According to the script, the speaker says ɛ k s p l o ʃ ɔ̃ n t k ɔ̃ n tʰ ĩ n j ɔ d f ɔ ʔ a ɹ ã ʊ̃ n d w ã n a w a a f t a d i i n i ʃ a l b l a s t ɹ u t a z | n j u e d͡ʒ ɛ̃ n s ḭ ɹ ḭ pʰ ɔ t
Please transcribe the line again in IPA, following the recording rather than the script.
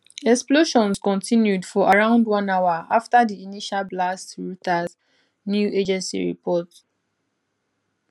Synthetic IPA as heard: ɛ k s p l o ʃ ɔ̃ n s k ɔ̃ n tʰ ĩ n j u d f ɔ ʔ a ɹ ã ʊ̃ n d w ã n a w a a f t a d i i n i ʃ a l b l a s t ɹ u t a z | n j u e d͡ʒ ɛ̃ n s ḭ ɹ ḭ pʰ ɔ t